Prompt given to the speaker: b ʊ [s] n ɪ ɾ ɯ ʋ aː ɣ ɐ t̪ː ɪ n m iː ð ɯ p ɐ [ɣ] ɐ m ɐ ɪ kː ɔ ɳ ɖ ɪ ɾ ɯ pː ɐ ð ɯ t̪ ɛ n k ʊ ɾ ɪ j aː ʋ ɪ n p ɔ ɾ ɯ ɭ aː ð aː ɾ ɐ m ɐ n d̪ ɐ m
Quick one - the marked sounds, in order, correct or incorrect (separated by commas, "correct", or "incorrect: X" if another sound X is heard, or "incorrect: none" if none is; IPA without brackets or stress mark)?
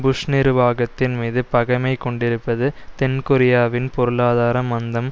incorrect: ʂ, correct